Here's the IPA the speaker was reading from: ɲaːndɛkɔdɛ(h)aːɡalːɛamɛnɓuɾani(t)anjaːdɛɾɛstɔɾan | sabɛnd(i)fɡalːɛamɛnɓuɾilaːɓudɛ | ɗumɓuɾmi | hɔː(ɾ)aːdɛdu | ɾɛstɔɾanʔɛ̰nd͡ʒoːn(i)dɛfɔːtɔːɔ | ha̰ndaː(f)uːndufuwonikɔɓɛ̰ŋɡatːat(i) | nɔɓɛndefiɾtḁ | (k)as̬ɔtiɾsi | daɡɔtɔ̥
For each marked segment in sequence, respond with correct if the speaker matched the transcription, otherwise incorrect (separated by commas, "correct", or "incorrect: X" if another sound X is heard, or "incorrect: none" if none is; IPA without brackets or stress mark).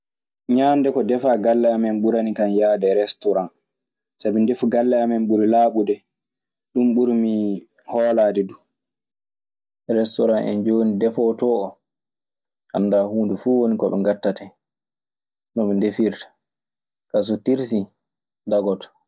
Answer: incorrect: f, incorrect: k, incorrect: e, incorrect: l, correct, incorrect: h, incorrect: ɛ, correct